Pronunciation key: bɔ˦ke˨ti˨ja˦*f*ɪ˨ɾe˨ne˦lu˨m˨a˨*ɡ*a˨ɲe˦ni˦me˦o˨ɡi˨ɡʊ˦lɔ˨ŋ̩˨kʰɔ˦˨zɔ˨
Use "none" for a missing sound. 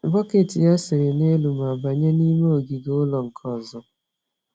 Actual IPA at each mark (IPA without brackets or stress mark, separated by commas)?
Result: s, b